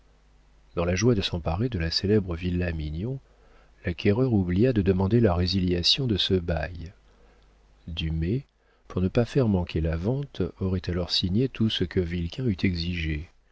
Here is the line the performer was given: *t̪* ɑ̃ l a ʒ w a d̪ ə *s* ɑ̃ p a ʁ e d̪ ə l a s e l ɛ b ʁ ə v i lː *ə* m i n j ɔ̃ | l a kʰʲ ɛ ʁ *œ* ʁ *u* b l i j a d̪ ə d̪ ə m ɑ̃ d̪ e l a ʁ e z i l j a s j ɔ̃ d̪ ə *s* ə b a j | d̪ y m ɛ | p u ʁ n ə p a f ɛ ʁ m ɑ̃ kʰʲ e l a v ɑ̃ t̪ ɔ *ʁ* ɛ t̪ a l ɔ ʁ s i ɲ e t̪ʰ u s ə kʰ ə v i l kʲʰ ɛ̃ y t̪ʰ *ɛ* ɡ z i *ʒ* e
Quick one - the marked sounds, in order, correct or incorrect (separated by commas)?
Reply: incorrect, correct, incorrect, correct, correct, correct, correct, correct, correct